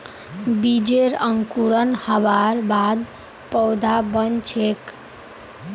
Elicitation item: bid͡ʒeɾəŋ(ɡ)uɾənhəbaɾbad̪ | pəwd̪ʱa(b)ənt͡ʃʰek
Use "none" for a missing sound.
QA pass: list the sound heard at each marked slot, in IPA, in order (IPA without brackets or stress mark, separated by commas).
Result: k, b